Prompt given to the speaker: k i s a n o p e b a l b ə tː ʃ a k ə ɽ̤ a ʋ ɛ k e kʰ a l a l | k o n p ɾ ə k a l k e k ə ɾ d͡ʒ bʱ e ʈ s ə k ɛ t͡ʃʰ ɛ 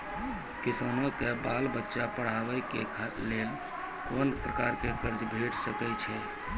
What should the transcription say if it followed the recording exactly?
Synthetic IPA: k i s a n o k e b a l b ə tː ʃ a p ə ɽ̤ a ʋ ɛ k e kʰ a l e l | k o n p ɾ ə k a ɾ k e k ə ɾ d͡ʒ bʱ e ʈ s ə k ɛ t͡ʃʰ ɛ

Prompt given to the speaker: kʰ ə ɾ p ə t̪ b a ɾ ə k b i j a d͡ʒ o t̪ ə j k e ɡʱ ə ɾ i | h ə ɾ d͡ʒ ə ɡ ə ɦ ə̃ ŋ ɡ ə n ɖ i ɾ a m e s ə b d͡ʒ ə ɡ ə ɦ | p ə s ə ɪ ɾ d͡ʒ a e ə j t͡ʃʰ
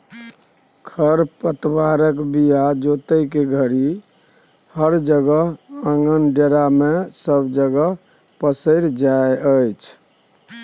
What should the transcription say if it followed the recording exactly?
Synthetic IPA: kʰ ə ɾ p ə t̪ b a ɾ ə k b i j a d͡ʒ o t̪ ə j k e ɡʱ ə ɾ i | h ə ɾ d͡ʒ ə ɡ ə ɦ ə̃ ŋ ɡ ə n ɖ e ɾ a m e s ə b d͡ʒ ə ɡ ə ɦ | p ə s ə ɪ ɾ d͡ʒ a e ə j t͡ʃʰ

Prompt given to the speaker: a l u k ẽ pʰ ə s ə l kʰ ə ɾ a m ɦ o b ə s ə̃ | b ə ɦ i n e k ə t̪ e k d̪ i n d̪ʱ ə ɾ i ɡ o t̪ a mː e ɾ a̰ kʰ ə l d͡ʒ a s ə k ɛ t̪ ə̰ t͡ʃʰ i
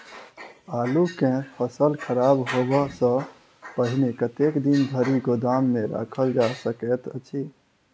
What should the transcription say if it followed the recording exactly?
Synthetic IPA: a l u k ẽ pʰ ə s ə l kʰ ə ɾ a b ɦ o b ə s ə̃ | p ə ɦ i n e k ə t̪ e k d̪ i n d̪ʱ ə ɾ i ɡ o d̪ a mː e ɾ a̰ kʰ ə l d͡ʒ a s ə k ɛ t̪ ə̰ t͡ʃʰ i

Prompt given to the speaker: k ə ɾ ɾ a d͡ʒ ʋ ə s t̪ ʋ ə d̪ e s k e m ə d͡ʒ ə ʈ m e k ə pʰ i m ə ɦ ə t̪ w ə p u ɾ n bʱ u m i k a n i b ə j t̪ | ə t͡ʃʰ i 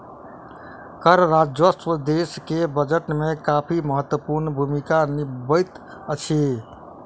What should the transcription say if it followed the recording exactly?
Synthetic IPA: k ə ɾ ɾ a d͡ʒ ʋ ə s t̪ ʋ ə d̪ e s k e b ə d͡ʒ ə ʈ m e k a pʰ i m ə ɦ ə t̪ w ə p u ɾ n bʱ u m i k a n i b ə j t̪ | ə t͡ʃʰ i

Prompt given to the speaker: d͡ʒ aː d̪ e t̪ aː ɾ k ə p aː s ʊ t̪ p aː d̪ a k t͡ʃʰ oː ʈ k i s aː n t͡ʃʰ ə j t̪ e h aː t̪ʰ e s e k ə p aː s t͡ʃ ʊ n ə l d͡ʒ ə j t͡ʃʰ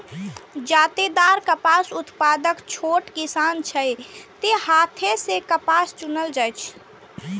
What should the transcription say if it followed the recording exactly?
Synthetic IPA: d͡ʒ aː t̪ e d̪ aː ɾ k ə p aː s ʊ t̪ p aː d̪ ə k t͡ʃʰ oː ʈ k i s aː n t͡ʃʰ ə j t̪ e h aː t̪ʰ e s e k ə p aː s t͡ʃ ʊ n ə l d͡ʒ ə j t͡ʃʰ

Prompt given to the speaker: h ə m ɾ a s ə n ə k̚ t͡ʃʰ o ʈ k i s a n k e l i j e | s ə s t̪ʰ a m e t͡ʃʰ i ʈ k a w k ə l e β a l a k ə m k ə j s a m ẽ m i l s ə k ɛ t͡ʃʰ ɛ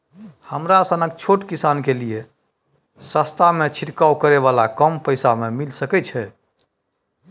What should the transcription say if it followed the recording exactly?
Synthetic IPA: h ə m ɾ a s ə n ə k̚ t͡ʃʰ o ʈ k i s a n k e l i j e | s ə s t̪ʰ a m e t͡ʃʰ i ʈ k a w k ə ɾ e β a l a k ə m p ə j s a m e m i l s ə k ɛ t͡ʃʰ ɛ

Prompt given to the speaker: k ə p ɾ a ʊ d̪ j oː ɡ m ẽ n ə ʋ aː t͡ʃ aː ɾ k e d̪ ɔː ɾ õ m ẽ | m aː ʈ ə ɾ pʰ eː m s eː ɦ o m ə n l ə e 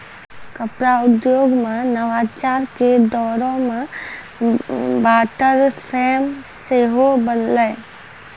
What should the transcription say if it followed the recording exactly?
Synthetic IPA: k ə p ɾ a ʊ d̪ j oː ɡ m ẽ n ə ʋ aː t͡ʃ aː ɾ k e d̪ ɔː ɾ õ m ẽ | b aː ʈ ə ɾ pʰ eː m s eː ɦ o b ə n l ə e

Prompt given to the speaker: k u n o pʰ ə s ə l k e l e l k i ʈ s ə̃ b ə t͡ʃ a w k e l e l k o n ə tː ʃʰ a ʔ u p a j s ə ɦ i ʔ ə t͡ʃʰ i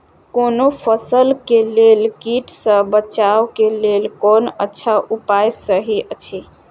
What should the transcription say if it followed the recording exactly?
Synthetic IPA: k o n o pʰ ə s ə l k e l e l k i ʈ s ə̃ b ə t͡ʃ a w k e l e l k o n ə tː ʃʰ a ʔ u p a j s ə ɦ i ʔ ə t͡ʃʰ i

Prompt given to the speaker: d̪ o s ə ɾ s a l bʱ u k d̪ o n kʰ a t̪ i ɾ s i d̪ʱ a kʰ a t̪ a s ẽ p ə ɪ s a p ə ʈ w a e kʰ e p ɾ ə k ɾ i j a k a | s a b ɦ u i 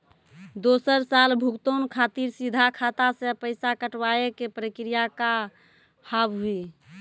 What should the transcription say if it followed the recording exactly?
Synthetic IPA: d̪ o s ə ɾ s a l bʱ u k t̪ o n kʰ a t̪ i ɾ s i d̪ʱ a kʰ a t̪ a s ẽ p ə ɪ s a k ə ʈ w a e k e p ɾ ə k ɾ i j a k a | h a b ɦ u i

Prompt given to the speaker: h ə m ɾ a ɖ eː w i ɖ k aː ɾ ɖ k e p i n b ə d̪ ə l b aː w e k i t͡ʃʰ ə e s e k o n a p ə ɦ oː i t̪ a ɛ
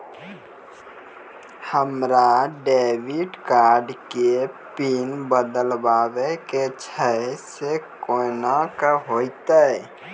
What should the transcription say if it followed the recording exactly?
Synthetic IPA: h ə m ɾ a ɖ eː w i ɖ k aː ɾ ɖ k e p i n b ə d̪ ə l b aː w e k e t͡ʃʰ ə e s e k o n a k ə ɦ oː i t̪ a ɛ

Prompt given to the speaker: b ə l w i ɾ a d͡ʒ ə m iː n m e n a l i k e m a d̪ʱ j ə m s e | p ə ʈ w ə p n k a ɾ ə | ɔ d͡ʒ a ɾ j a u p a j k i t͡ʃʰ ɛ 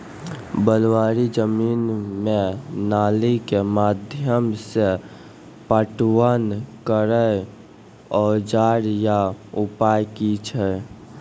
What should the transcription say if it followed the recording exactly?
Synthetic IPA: b ə l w a ɾ i d͡ʒ ə m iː n m e n a l i k e m a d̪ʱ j ə m s e | p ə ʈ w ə n k ə ɾ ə | ɔ d͡ʒ a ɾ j a u p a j k i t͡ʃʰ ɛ

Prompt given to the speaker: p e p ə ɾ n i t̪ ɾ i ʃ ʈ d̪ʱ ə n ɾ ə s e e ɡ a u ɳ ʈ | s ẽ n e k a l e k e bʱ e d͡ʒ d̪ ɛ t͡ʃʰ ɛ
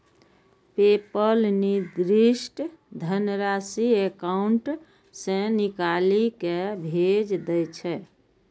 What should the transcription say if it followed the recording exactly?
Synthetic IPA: p e p ə l n i d̪ ɾ i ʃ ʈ d̪ʱ ə n ɾ a s i e k a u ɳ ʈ | s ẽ n i k a l i k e bʱ e d͡ʒ d̪ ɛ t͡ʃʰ ɛ

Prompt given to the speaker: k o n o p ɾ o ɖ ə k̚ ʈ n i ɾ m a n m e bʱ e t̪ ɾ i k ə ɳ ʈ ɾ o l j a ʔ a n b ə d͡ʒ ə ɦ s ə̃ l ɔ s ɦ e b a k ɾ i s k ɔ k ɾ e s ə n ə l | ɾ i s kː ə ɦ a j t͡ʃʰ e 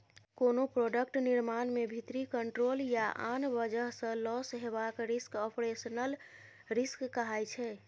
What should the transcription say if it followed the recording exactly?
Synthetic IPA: k o n o p ɾ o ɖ ə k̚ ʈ n i ɾ m a n m e bʱ i t̪ ɾ i k ə ɳ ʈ ɾ o l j a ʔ a n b ə d͡ʒ ə ɦ s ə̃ l ɔ s ɦ e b a k ɾ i s k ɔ p ɾ e s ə n ə l | ɾ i s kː ə ɦ a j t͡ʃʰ ɛ

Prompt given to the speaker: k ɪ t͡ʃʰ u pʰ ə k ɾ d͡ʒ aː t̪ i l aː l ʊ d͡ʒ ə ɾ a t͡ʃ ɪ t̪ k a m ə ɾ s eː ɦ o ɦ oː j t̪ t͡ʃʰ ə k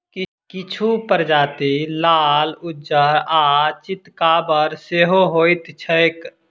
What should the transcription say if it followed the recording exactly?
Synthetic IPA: k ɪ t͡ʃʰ u p ə ɾ d͡ʒ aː t̪ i l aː l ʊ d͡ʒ ə ɾ a t͡ʃ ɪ t̪ k a b ə ɾ s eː ɦ o ɦ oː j t̪ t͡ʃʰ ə k

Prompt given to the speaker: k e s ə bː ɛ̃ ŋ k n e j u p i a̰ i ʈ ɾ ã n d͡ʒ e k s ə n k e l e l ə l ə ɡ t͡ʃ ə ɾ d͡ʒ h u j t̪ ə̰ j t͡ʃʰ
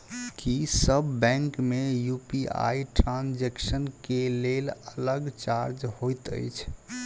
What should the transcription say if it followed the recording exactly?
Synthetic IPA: k i s ə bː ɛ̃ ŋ k m e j u p i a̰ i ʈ ɾ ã n d͡ʒ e k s ə n k e l e l ə l ə ɡ t͡ʃ a ɾ d͡ʒ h o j t̪ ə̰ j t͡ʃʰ

